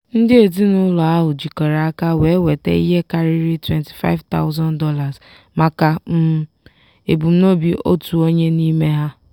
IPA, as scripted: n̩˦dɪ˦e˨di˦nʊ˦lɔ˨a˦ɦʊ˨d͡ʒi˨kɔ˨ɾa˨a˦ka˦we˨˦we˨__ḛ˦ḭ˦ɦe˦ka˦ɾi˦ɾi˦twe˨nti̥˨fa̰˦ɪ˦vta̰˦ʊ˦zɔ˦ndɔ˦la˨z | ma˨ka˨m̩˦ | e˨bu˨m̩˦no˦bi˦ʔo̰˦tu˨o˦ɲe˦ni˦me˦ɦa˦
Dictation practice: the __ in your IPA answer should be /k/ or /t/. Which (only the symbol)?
t